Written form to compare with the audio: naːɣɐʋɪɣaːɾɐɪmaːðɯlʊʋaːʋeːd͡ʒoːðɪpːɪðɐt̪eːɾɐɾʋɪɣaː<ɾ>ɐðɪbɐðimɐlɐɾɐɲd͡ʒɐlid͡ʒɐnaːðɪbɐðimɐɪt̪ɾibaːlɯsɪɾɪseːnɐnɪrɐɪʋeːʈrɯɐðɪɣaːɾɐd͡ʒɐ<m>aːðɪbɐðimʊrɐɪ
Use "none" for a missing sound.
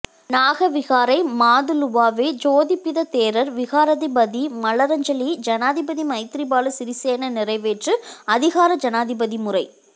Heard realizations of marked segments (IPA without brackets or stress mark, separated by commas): ɾ, n